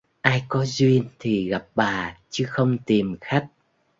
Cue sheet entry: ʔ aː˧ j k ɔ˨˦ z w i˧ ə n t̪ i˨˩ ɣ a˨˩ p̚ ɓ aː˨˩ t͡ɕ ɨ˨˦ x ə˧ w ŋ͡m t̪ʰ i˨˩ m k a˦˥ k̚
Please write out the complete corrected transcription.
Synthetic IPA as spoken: ʔ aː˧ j k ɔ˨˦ z w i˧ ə n t̪ʰ i˨˩ ɣ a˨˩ p̚ ɓ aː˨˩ t͡ɕ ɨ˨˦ x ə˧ w ŋ͡m t̪ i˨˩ m x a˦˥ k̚